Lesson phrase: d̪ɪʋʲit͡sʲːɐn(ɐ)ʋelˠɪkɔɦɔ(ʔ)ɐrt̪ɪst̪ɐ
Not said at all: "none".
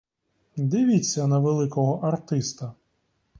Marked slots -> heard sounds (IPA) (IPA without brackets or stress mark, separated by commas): ɐ, ʔ